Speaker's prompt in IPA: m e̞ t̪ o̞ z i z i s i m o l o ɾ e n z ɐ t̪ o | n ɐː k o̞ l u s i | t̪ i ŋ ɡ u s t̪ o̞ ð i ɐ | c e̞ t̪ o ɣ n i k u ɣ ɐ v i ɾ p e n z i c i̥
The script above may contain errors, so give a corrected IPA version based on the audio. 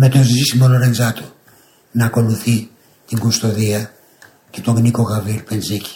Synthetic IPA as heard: m e̞ t̪ o̞ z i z i s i m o l o ɾ e n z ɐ t̪ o | n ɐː k o̞ l u θ i | t̪ i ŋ ɡ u s t̪ o̞ ð i ɐ | c e̞ t̪ o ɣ n i k o ɣ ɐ v i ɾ p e n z i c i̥